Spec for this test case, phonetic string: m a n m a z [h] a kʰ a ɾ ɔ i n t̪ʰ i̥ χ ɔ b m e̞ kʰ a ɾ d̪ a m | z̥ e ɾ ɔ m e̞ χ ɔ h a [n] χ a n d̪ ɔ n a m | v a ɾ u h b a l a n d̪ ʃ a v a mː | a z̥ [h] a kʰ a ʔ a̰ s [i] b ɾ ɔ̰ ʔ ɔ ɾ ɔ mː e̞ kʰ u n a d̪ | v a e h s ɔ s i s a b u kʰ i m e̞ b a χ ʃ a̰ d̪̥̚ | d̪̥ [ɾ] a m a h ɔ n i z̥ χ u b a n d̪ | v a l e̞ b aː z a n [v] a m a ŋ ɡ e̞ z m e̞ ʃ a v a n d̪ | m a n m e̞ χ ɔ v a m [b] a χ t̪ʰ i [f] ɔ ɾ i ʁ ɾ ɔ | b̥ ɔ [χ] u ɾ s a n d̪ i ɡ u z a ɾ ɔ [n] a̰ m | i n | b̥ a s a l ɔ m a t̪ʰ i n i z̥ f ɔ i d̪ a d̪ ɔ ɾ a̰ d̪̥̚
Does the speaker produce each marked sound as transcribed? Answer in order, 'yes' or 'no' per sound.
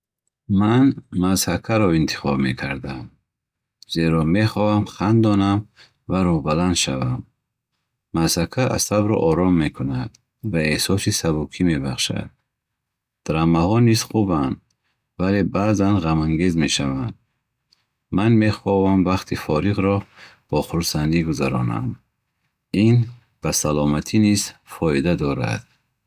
yes, no, yes, no, yes, no, no, yes, yes, yes

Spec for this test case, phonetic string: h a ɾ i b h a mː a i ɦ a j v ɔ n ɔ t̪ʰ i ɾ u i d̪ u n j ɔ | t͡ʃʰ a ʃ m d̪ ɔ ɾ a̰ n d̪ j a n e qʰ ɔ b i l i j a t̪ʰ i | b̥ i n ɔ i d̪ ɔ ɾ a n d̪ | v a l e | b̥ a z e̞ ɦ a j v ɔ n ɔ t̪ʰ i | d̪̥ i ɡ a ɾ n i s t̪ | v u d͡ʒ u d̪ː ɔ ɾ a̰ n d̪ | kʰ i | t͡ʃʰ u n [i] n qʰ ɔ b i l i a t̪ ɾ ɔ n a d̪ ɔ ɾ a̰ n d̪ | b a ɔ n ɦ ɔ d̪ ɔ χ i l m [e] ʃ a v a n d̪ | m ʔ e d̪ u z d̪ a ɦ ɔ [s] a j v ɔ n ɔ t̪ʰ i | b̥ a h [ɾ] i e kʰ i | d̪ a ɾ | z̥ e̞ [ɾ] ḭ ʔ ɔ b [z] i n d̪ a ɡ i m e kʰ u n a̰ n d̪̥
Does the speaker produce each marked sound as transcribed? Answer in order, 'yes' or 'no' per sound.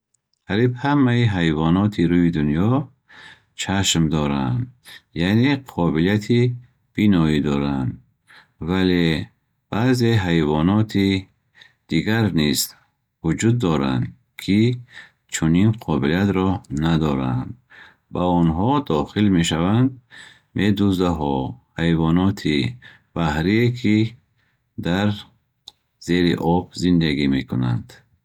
yes, yes, no, yes, yes, yes

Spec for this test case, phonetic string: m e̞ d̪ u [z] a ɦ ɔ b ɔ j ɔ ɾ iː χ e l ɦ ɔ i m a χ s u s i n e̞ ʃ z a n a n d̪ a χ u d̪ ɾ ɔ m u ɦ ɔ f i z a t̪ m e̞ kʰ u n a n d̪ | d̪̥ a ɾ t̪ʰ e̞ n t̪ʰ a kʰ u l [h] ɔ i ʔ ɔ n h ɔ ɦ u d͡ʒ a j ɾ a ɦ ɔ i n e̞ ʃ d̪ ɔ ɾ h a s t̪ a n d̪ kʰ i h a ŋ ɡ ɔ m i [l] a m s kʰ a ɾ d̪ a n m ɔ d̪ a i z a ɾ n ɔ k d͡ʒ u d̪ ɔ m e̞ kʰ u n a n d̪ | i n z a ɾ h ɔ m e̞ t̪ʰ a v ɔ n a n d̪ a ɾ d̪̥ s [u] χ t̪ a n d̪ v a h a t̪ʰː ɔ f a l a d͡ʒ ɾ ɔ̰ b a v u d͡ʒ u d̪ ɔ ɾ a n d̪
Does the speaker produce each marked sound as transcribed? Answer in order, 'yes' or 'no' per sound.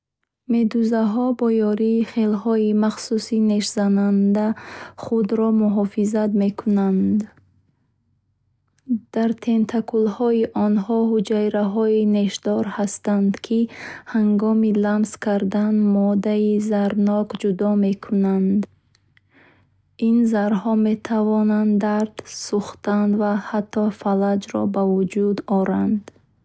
yes, yes, yes, yes

